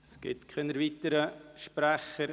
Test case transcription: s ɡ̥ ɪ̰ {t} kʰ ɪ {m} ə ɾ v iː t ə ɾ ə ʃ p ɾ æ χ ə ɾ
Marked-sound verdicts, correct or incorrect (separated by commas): correct, incorrect